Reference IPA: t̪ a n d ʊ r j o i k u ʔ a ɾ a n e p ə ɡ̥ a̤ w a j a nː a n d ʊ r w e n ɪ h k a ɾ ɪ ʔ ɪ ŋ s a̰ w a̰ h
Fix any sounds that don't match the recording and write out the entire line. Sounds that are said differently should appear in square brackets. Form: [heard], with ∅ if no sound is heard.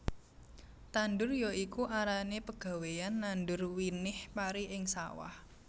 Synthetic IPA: t̪ a n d ʊ r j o i k u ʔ a ɾ a n e p ə ɡ̥ a̤ w [e] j a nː a n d ʊ r w [i] n ɪ h [p] a ɾ [i] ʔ ɪ ŋ s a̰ w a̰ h